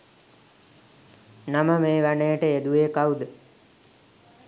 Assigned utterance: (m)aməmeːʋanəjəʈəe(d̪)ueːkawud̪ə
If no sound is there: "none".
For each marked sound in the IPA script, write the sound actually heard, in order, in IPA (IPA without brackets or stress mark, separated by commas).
n, d̪